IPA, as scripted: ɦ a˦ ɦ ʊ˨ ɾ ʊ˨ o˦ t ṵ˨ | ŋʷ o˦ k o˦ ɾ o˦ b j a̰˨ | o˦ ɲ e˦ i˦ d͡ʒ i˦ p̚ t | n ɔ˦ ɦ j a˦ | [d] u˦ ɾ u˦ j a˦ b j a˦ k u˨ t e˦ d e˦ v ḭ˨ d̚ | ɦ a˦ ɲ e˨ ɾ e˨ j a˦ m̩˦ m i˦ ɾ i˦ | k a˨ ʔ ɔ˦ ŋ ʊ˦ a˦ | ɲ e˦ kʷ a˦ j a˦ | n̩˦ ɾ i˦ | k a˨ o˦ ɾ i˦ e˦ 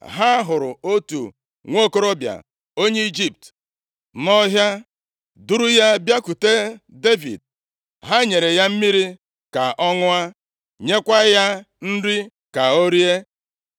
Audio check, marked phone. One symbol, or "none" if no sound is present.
d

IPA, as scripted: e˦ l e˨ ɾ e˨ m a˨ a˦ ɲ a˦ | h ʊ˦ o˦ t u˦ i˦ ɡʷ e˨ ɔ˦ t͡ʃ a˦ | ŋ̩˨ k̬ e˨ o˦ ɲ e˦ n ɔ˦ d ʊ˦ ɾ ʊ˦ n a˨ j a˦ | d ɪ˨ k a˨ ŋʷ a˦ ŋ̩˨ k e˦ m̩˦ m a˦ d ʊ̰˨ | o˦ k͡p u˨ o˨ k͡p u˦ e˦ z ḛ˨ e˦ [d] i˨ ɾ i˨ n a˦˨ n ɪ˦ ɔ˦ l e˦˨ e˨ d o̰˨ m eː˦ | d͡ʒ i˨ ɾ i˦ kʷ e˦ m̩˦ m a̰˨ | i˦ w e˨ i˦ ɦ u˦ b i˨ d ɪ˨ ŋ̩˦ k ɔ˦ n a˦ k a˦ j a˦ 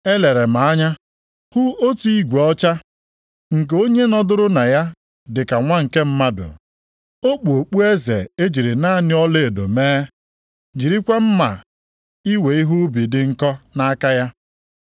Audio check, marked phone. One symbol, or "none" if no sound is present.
d͡ʒ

